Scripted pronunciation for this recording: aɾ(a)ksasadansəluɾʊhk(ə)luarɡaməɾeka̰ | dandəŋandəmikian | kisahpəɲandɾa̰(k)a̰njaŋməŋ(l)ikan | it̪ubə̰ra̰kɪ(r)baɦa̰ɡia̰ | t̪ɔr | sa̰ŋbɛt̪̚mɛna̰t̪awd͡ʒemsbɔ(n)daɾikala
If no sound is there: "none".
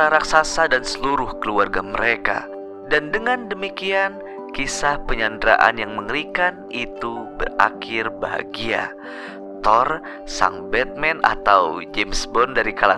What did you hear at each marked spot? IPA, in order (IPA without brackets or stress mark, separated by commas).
a, ə, ʔ, ɾ, r, n